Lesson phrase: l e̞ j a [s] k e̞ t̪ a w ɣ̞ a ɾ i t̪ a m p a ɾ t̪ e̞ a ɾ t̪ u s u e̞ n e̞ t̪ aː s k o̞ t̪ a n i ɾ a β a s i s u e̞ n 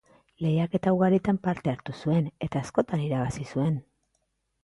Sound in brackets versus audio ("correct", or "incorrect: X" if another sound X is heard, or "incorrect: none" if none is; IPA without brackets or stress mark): incorrect: none